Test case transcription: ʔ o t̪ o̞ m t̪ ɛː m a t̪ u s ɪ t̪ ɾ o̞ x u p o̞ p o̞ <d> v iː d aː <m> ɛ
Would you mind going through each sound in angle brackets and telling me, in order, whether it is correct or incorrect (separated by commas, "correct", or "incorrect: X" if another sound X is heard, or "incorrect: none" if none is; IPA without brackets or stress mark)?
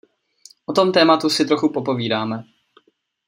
incorrect: none, correct